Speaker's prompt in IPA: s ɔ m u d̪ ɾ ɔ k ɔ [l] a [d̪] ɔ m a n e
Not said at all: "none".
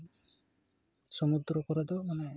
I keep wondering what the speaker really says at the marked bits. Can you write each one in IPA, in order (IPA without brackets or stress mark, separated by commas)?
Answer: ɾ, d̪